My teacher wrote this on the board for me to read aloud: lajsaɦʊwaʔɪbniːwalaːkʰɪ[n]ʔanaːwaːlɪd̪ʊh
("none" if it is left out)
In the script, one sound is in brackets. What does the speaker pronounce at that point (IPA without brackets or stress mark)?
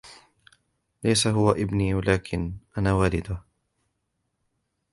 n